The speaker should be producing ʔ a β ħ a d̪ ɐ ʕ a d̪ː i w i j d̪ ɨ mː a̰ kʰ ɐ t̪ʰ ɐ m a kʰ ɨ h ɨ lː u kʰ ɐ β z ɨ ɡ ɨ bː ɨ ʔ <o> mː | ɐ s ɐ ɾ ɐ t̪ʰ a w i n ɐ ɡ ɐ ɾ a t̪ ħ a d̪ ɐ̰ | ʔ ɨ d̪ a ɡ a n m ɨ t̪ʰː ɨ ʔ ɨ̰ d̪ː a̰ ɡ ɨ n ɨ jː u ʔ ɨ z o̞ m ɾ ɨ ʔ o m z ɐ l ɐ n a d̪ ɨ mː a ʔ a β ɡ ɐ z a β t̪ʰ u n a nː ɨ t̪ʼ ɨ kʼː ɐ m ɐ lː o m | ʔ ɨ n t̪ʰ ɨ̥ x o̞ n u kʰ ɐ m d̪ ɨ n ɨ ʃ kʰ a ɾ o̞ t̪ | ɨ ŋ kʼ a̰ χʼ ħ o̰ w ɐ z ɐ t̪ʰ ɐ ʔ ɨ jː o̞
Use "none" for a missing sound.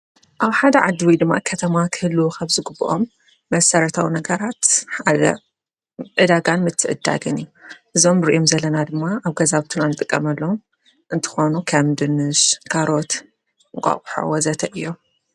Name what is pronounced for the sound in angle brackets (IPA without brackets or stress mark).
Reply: o